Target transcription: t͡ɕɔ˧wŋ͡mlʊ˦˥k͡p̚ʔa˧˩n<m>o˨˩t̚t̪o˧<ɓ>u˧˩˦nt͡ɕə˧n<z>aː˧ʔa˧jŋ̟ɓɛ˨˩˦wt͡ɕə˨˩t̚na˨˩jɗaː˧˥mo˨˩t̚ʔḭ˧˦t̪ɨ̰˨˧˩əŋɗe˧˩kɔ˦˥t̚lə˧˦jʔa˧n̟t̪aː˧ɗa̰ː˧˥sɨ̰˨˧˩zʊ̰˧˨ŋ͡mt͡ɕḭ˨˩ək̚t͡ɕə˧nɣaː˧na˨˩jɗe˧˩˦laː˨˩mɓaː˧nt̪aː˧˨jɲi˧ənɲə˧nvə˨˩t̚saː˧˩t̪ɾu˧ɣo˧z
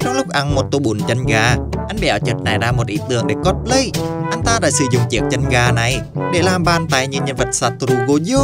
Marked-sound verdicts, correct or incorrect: correct, correct, incorrect: ɣ

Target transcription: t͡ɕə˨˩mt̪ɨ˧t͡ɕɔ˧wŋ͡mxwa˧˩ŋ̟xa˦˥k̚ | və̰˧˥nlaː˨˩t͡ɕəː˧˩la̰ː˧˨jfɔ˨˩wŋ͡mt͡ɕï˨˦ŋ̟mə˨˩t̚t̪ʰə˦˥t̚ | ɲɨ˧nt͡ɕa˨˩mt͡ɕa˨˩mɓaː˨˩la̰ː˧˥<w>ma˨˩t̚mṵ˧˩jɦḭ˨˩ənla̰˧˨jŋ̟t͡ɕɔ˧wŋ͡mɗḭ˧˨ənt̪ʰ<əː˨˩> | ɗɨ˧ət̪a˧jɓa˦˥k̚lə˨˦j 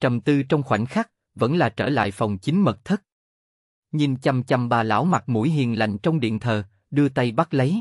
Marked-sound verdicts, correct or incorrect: correct, correct

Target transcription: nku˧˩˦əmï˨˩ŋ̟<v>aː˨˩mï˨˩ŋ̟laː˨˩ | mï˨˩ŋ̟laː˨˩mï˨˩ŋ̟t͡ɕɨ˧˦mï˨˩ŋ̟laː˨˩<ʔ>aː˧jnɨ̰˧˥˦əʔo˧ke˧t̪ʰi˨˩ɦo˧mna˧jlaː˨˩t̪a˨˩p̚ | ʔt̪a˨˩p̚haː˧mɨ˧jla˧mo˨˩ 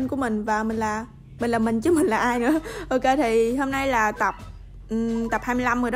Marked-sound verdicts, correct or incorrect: correct, correct

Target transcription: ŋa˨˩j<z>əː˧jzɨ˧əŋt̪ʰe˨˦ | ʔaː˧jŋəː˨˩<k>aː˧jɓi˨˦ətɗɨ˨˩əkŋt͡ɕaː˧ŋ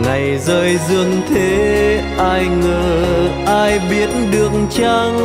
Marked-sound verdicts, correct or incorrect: correct, incorrect: ʔ

